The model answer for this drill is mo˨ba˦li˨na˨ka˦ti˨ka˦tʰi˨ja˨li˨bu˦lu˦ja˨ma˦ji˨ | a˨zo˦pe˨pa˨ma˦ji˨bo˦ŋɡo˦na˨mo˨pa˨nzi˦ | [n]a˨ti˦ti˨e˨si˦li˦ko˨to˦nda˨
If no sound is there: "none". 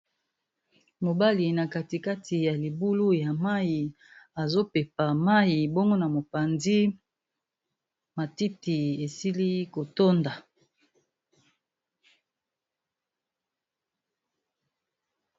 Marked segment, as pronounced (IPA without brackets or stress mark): m